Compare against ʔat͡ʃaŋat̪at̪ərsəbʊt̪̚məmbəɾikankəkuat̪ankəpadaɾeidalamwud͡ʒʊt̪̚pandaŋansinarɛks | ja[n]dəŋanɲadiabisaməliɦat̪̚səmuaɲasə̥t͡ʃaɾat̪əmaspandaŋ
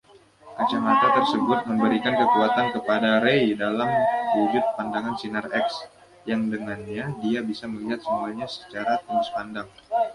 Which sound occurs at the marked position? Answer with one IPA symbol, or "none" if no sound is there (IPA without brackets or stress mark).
ŋ